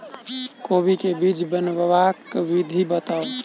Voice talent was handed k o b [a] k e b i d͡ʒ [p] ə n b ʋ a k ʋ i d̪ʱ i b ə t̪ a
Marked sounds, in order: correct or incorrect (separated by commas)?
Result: incorrect, incorrect